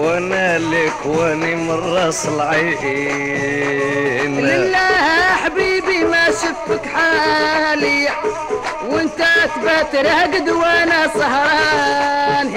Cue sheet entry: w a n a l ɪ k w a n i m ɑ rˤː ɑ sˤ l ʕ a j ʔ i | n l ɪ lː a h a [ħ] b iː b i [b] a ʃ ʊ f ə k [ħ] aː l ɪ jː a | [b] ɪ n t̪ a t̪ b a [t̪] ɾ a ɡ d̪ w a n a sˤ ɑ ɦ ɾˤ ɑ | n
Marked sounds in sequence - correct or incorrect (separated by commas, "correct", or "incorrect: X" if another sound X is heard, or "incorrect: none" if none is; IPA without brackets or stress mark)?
correct, incorrect: m, correct, incorrect: w, correct